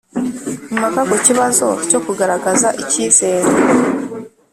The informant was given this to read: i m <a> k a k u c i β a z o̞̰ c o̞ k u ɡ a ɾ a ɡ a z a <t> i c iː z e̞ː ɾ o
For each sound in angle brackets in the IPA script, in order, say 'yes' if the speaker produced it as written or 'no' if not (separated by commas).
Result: yes, no